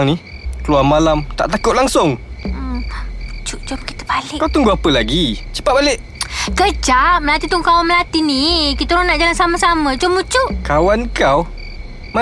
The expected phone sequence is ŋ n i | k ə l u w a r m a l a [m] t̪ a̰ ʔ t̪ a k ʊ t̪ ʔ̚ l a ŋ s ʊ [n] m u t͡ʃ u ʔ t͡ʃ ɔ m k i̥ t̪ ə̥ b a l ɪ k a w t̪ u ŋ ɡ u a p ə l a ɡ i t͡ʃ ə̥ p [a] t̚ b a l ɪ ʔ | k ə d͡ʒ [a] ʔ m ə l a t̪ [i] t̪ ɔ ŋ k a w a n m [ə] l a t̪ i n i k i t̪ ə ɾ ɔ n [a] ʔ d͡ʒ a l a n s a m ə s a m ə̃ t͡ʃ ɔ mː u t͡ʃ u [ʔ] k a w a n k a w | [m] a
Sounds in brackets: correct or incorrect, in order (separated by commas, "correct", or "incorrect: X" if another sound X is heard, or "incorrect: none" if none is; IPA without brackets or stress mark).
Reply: correct, incorrect: ŋ, correct, correct, correct, correct, correct, correct, correct